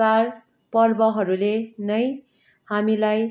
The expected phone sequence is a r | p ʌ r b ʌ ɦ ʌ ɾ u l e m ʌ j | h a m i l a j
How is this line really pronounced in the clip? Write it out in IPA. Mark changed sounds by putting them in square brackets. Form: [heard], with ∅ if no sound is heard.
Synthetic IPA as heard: a r | p ʌ r b ʌ ɦ ʌ ɾ u l e [n] ʌ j | h a m i l a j